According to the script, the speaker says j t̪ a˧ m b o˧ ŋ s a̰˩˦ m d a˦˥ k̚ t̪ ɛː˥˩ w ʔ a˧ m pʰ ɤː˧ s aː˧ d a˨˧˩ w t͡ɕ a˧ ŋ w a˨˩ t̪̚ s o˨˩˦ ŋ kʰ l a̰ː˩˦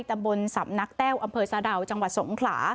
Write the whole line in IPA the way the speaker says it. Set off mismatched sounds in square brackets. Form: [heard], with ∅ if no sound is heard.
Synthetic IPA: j t̪ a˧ m b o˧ [n] s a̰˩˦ m [n] a˦˥ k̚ t̪ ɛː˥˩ w ʔ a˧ m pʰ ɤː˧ s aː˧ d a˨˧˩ w t͡ɕ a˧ ŋ w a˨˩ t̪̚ s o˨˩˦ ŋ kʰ l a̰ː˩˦